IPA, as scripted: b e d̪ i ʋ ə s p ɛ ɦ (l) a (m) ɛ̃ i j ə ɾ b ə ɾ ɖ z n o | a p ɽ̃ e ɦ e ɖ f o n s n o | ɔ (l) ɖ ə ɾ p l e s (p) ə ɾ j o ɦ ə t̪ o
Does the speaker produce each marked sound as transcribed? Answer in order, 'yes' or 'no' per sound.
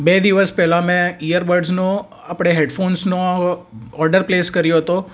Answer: yes, yes, no, no

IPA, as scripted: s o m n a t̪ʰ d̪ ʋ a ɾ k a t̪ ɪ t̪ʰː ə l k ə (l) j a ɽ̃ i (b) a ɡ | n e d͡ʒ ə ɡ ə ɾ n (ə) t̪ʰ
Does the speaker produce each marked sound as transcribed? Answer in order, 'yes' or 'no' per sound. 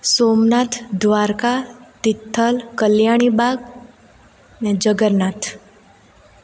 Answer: yes, yes, no

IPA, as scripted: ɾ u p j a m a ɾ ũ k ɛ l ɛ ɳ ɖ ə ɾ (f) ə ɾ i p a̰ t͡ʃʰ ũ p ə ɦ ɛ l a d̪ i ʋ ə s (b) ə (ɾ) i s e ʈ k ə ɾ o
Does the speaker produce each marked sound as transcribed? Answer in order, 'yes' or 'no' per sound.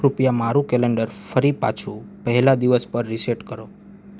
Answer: yes, no, no

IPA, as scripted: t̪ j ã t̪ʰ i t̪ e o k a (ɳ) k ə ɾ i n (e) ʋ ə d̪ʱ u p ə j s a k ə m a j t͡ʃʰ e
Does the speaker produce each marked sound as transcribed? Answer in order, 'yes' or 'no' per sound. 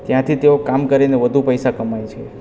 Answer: no, yes

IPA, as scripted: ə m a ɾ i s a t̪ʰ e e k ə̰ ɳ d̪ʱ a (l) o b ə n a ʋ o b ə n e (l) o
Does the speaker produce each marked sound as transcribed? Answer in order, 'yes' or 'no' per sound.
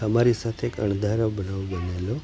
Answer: no, yes

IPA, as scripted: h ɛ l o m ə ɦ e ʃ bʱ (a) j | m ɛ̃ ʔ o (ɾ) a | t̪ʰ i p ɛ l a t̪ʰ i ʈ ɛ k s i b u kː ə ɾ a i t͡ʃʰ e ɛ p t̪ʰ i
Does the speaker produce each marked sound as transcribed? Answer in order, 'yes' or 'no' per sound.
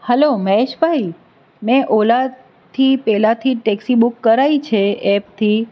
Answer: yes, no

